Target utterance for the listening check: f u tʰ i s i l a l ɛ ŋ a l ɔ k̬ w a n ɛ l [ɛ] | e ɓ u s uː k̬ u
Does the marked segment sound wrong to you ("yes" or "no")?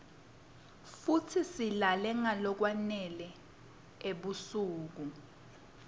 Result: no